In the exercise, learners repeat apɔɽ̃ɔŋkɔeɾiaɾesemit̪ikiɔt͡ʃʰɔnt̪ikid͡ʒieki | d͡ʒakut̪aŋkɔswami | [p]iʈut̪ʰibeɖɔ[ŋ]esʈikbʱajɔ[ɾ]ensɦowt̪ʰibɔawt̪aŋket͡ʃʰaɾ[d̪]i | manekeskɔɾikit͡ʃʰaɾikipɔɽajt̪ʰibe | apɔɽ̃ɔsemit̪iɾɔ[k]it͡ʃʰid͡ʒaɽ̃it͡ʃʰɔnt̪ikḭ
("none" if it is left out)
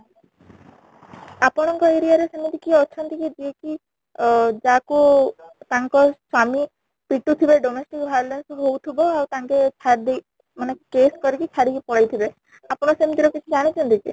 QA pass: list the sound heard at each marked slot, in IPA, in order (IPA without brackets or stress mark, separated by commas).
p, m, l, d̪, k